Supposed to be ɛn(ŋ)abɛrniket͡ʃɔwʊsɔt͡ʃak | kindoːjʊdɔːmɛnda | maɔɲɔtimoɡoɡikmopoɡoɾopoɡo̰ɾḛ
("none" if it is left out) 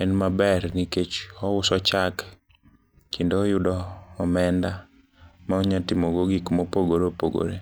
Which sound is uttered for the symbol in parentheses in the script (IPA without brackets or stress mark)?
m